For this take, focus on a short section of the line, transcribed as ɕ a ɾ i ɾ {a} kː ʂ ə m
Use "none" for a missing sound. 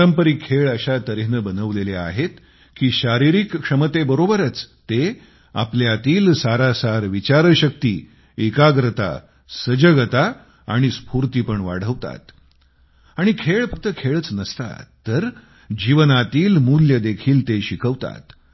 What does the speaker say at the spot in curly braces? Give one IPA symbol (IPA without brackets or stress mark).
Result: i